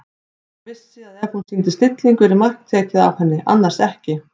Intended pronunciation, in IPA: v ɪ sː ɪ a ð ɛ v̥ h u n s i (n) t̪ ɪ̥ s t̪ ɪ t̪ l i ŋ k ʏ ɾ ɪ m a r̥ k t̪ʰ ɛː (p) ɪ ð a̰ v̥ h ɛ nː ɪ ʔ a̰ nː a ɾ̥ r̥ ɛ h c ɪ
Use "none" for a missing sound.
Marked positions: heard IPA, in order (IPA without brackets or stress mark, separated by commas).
n, c